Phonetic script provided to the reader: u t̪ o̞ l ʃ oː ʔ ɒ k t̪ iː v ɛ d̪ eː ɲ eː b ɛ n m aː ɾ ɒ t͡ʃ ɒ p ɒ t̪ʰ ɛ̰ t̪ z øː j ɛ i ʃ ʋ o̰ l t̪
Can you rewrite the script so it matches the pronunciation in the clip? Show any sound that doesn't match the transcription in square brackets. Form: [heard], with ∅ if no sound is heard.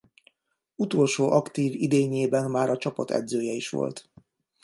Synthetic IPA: u t̪ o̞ l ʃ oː ʔ ɒ k t̪ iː v [i] d̪ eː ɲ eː b ɛ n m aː ɾ ɒ t͡ʃ ɒ p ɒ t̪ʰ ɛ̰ [d̪] z øː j ɛ i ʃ ʋ o̰ l t̪